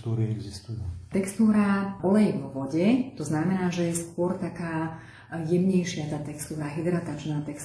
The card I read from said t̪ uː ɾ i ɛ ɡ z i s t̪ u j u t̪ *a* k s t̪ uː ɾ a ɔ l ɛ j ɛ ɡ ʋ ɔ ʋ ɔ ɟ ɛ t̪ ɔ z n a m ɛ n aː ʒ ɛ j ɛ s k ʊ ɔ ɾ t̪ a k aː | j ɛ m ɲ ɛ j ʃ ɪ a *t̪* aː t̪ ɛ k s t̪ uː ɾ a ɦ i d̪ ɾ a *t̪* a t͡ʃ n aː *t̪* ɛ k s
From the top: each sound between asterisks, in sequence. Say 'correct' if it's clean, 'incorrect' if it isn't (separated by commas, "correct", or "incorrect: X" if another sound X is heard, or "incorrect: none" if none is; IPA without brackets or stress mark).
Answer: incorrect: ɛ, correct, correct, correct